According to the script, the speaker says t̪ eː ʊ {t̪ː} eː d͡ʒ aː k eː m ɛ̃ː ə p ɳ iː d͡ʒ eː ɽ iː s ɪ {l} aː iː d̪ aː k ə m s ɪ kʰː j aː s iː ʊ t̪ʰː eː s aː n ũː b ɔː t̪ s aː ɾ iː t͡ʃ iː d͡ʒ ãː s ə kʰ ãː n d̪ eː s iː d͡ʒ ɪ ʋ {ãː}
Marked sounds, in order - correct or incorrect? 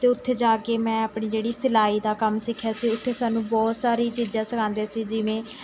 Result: incorrect, correct, incorrect

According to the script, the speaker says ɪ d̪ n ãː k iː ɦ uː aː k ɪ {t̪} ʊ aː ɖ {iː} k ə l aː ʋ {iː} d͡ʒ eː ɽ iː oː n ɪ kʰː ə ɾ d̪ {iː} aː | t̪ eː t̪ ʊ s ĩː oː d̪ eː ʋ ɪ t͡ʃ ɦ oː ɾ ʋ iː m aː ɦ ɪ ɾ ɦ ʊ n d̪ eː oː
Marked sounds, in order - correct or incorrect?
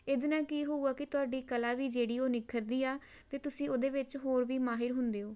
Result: correct, correct, correct, correct

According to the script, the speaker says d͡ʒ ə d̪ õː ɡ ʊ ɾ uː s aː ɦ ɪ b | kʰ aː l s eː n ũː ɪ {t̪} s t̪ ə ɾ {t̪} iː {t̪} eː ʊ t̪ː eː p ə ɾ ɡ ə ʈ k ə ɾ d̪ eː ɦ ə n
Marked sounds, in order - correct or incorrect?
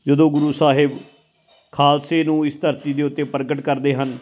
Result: incorrect, correct, incorrect

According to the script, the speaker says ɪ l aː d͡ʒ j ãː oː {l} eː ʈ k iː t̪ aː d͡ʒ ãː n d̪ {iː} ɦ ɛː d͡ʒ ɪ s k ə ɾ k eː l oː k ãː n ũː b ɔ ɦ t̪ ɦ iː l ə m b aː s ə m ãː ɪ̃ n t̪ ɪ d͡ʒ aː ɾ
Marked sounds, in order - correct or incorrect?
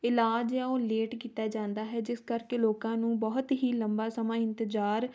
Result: correct, incorrect

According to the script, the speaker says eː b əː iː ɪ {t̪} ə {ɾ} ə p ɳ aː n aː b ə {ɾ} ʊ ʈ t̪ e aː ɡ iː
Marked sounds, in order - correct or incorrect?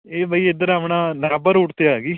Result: incorrect, correct, correct

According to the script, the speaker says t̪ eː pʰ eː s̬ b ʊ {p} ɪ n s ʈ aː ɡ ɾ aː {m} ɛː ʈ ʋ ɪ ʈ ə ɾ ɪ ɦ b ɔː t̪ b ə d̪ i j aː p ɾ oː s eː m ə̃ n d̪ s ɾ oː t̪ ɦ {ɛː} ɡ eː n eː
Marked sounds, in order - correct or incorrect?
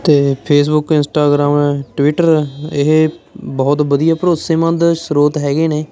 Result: incorrect, correct, correct

